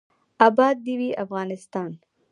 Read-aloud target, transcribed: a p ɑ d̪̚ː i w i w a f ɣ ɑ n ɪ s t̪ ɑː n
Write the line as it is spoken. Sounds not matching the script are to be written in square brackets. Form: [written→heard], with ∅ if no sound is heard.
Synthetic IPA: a [p→b] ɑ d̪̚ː i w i [w→∅] a f ɣ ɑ n ɪ s t̪ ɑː n